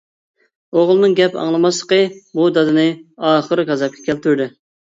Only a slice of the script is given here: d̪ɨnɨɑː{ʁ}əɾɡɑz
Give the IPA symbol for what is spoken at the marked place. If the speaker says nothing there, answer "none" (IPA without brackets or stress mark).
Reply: χ